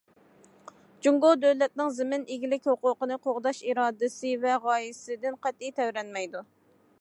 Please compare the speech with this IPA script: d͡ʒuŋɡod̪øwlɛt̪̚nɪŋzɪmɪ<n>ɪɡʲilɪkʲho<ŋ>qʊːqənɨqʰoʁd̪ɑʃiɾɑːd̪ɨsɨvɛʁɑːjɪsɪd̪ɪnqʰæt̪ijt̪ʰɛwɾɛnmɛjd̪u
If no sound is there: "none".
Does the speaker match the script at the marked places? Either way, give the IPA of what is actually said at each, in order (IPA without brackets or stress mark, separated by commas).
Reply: n, none